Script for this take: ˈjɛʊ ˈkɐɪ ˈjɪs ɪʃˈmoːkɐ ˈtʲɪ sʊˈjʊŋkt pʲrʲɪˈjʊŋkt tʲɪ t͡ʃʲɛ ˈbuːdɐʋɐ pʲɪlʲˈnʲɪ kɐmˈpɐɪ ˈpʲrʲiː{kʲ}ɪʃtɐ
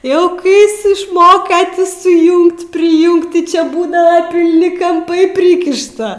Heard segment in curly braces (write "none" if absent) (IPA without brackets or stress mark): kʲ